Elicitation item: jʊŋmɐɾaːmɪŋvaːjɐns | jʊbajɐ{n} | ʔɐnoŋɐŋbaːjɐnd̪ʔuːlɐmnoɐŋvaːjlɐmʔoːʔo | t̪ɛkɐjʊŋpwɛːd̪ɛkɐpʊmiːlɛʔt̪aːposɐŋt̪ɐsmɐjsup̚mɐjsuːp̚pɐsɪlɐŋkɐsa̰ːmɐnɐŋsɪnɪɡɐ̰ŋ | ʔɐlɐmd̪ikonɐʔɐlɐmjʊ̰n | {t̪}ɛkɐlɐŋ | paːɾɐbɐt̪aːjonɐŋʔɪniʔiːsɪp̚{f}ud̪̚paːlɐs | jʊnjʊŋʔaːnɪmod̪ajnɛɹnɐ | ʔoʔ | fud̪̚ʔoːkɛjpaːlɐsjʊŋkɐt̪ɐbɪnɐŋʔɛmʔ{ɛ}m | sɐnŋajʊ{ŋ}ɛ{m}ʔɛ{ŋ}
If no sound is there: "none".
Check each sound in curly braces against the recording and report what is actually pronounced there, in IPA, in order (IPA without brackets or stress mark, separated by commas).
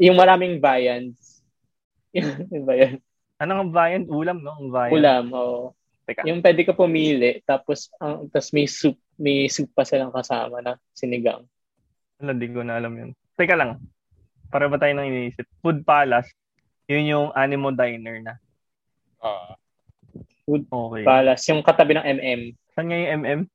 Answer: n, t̪, f, ɛ, ŋ, m, m